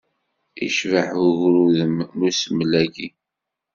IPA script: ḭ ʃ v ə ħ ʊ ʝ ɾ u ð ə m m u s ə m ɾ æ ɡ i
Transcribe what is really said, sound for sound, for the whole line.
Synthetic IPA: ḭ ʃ v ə ħ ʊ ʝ ɾ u ð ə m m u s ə m l æ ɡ i